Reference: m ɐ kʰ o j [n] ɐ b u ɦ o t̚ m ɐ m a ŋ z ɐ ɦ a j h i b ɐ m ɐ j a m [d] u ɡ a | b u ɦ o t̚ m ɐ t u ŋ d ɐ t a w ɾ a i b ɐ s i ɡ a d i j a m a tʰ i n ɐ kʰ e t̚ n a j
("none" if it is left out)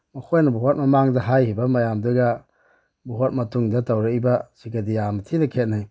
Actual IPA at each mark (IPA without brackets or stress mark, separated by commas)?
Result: n, d